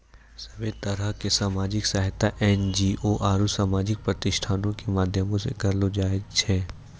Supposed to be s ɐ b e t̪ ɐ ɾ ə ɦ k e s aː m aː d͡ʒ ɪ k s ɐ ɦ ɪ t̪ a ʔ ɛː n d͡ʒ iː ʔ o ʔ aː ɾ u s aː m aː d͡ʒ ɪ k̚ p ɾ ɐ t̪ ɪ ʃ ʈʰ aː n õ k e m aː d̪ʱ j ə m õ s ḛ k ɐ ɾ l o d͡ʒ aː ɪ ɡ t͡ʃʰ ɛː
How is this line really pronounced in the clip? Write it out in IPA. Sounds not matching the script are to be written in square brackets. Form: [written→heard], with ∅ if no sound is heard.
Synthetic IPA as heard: s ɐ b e t̪ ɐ ɾ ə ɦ k e s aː m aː d͡ʒ ɪ k s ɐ ɦ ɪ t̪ a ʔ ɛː n d͡ʒ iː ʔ o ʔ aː ɾ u s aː m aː d͡ʒ ɪ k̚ p ɾ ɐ t̪ ɪ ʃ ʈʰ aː n õ k e m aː d̪ʱ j ə m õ s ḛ k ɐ ɾ l o d͡ʒ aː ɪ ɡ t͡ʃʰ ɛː

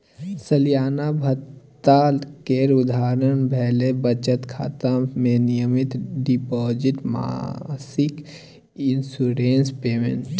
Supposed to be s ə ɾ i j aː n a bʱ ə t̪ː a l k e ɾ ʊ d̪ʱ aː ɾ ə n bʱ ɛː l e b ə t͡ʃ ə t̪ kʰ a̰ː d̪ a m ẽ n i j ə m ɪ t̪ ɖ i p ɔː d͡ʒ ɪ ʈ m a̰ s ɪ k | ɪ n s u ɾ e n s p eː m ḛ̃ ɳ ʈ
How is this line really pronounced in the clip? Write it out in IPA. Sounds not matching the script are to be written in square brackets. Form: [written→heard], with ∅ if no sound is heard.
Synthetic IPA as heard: s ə [ɾ→l] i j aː n a bʱ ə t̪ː a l k e ɾ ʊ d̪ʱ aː ɾ ə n bʱ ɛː l e b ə t͡ʃ ə t̪ kʰ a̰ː [d̪→t̪] a m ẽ n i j ə m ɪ t̪ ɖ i p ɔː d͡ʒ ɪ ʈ m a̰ s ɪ k | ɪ n s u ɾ e n s p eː m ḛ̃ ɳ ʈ

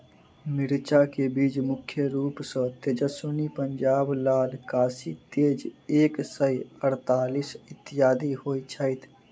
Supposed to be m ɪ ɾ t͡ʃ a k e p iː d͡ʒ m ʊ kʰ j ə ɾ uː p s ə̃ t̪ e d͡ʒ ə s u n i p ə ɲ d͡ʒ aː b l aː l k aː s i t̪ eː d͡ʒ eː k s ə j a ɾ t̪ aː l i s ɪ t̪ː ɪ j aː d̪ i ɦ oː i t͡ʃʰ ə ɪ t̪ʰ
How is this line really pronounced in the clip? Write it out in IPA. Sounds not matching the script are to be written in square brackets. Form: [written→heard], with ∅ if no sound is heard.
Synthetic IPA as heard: m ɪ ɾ t͡ʃ a k e [p→b] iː d͡ʒ m ʊ kʰ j ə ɾ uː p s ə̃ t̪ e d͡ʒ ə s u n i p ə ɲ d͡ʒ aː b l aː l k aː s i t̪ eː d͡ʒ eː k s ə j [a→ə] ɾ t̪ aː l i s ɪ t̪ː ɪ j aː d̪ i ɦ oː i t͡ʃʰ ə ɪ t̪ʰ

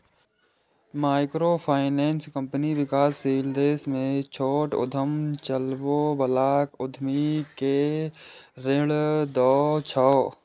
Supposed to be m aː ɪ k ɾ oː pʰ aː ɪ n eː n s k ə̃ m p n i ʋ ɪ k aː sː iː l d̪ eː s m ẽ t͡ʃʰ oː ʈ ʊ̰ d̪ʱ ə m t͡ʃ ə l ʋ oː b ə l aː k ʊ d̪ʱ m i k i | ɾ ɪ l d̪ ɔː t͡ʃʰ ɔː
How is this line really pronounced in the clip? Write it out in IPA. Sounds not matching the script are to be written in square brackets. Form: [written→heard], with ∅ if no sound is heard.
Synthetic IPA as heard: m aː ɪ k ɾ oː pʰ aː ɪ n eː n s k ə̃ m p n i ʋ ɪ k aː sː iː l d̪ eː s m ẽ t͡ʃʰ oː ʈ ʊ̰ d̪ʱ ə m t͡ʃ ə l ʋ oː b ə l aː k ʊ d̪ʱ m i k [i→e] | ɾ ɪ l d̪ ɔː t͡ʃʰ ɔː

